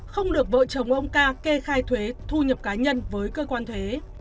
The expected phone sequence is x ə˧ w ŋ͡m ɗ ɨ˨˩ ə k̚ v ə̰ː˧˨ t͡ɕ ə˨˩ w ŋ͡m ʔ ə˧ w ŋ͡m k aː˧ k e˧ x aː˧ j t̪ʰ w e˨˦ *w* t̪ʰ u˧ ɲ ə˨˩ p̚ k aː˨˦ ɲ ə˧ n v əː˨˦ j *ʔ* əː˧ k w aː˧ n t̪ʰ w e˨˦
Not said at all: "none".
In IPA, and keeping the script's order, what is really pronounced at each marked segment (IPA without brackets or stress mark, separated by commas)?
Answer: none, k